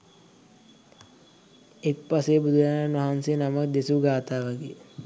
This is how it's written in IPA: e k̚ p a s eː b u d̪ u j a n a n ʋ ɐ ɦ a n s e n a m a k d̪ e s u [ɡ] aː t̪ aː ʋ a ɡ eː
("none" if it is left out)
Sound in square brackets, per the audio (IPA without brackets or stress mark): ɡ